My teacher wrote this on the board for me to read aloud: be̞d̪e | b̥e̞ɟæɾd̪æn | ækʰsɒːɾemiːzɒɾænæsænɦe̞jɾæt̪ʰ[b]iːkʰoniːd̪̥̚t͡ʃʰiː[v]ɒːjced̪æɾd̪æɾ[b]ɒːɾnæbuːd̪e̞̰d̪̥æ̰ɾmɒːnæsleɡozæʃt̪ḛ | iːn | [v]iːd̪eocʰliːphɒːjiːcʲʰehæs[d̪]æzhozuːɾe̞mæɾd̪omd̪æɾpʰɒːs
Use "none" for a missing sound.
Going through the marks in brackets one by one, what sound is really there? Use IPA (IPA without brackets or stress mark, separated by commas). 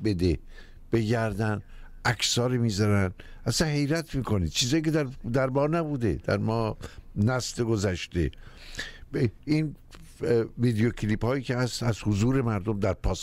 m, z, b, v, t̪